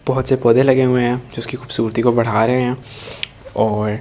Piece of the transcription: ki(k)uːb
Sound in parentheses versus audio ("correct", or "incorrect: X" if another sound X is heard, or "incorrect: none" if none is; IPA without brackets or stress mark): incorrect: x